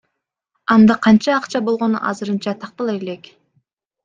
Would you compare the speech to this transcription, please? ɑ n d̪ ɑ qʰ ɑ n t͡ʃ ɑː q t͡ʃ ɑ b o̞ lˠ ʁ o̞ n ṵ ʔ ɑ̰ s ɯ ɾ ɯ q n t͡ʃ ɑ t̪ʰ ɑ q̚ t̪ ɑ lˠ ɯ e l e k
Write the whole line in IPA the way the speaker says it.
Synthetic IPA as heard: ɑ n d̪ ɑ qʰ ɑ n t͡ʃ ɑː q t͡ʃ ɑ b o̞ lˠ ʁ o̞ n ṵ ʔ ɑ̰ z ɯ ɾ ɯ n t͡ʃ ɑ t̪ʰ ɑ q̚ t̪ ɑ lˠ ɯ e l e k